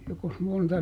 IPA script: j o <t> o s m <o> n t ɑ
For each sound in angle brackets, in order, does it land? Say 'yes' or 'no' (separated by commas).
no, yes